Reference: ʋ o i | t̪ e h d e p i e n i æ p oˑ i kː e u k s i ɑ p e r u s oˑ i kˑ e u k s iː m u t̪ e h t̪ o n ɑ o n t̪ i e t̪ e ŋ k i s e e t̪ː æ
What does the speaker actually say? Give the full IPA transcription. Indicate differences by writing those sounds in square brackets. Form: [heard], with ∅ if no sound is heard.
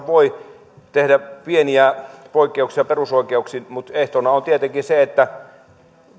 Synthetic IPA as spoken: ʋ o i | t̪ e h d [æ] p i e n i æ p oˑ i kː e u k s i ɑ p e r u s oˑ i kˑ e u k s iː m u t̪ e h t̪ o n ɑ o n t̪ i e t̪ e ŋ k i s e e t̪ː æ